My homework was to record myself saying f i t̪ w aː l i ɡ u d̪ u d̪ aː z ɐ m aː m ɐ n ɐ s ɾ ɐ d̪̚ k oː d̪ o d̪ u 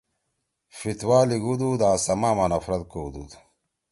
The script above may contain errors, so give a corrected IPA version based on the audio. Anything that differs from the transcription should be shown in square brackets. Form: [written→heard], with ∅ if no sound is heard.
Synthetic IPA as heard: f i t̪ w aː l i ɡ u d̪ u d̪ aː [z→s] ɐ m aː m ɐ n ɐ [s→f] ɾ ɐ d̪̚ k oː d̪ [o→u] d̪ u